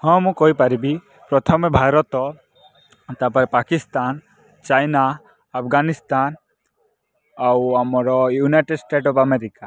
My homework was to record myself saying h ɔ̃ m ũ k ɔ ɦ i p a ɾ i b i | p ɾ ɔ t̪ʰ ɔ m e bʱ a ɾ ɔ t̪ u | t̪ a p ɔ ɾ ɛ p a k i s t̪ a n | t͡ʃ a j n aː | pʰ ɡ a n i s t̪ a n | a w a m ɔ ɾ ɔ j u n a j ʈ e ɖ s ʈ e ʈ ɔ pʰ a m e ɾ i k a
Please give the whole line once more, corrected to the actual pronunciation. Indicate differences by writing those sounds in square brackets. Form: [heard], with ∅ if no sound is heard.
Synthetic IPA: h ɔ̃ m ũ k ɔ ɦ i p a ɾ i b i | p ɾ ɔ t̪ʰ ɔ m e bʱ a ɾ ɔ t̪ [ɔ] | t̪ a p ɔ ɾ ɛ p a k i s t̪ a n | t͡ʃ a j n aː | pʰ ɡ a n i s t̪ a n | a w a m ɔ ɾ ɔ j u n a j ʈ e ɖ s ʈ e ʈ ɔ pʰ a m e ɾ i k a